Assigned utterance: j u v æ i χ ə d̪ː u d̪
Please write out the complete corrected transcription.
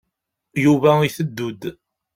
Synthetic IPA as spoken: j u v æ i θ ə d̪ː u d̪